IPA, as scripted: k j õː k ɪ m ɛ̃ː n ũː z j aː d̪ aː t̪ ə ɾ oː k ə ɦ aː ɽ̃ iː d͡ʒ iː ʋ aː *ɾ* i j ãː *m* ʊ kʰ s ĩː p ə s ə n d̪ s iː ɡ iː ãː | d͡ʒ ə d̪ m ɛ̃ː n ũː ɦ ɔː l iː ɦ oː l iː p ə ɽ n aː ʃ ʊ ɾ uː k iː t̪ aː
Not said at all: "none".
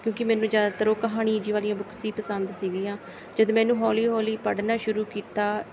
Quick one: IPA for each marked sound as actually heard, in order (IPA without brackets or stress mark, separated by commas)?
l, b